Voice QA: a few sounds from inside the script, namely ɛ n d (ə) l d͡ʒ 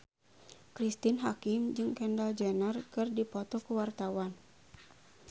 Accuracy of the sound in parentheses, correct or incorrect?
incorrect: a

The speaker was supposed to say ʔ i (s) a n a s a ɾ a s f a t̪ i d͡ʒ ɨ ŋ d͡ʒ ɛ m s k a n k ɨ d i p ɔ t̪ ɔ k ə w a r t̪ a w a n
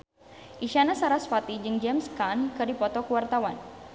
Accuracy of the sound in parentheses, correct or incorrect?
incorrect: ʃ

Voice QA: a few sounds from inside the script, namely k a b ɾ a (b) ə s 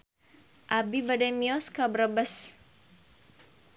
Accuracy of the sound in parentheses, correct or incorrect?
correct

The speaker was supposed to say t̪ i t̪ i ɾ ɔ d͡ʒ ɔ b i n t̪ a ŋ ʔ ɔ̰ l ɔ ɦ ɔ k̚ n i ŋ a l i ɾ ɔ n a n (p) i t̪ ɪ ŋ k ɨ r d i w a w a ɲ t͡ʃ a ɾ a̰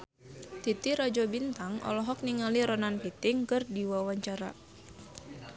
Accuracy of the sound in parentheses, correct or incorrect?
correct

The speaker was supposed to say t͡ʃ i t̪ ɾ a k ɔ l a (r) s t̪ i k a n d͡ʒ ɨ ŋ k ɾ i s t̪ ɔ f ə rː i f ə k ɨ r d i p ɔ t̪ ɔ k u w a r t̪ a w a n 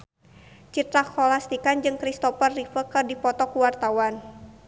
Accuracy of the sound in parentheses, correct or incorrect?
incorrect: none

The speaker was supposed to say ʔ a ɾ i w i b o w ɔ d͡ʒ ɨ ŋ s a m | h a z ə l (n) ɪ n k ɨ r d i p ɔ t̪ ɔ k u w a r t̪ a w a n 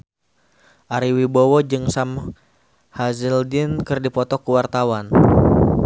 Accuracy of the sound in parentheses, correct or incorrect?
incorrect: d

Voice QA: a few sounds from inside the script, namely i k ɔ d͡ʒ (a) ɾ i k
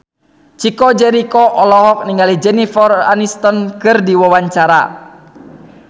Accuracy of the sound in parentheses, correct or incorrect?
incorrect: ɛ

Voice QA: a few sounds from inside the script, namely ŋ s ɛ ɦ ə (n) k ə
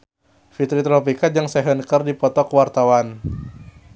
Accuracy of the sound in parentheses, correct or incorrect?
correct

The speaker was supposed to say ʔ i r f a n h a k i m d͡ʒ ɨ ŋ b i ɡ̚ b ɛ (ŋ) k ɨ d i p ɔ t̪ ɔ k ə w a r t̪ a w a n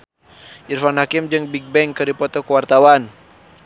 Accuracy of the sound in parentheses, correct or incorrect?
correct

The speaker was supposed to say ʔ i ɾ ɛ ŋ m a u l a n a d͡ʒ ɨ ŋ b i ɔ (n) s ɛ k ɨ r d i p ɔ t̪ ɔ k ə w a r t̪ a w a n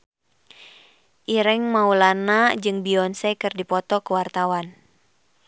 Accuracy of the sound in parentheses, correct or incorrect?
correct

